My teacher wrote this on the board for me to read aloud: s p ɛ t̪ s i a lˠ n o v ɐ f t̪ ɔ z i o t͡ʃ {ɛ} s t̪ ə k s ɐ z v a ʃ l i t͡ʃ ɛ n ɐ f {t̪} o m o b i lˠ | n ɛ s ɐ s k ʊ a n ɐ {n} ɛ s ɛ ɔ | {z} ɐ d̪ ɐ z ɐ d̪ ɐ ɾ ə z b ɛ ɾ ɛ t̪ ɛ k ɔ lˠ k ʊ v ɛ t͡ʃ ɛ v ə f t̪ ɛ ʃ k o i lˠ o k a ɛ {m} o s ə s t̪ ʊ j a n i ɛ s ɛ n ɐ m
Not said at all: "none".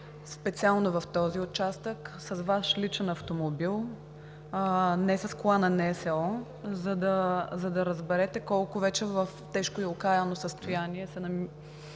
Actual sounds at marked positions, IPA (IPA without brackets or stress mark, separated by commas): a, t̪, n, z, n